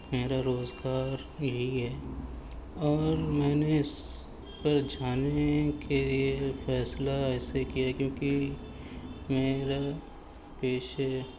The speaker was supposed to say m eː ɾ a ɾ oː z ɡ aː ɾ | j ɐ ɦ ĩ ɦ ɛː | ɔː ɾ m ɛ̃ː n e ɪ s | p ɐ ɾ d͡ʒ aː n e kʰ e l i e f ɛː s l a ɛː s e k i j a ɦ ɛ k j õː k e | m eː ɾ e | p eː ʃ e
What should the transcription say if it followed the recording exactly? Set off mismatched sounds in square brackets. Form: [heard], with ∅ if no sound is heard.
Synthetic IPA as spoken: m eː ɾ a ɾ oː z ɡ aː ɾ | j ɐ ɦ [i] ɦ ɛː | ɔː ɾ m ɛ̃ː n e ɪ s | p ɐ ɾ d͡ʒ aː n e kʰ e l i e f ɛː s l a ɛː s e k i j a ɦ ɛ k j õː k [i] | m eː ɾ [a] | p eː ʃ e